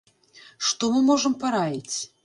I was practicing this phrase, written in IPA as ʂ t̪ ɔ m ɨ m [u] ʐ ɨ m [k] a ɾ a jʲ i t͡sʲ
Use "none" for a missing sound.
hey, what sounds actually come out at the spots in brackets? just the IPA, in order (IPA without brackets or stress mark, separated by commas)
ɔ, p